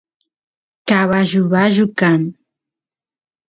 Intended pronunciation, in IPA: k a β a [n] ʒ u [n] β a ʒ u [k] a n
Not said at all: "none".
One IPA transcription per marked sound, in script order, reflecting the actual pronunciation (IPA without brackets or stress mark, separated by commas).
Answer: none, none, k